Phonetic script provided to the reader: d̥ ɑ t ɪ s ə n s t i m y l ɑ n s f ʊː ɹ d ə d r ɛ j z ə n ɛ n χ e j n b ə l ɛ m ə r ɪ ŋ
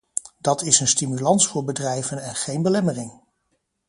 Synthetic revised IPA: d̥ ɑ t ɪ s ə n s t i m y l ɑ n s f ʊː ɹ b ə d r ɛ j v ə n ɛ n χ e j n b ə l ɛ m ə r ɪ ŋ